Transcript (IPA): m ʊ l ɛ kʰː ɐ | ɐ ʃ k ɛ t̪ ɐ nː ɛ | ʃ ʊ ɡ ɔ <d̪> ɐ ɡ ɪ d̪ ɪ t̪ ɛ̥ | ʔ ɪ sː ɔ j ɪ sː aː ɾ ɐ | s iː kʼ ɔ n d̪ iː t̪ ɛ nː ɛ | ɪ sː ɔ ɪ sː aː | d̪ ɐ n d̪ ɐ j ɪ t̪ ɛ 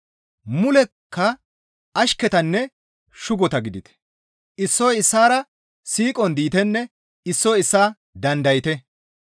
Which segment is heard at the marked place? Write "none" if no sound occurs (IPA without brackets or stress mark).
t̪